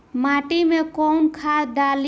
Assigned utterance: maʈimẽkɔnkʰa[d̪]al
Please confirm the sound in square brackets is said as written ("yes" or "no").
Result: yes